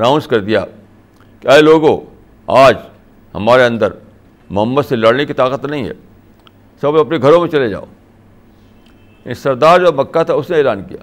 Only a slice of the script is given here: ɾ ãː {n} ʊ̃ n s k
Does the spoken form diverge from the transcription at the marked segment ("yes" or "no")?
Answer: yes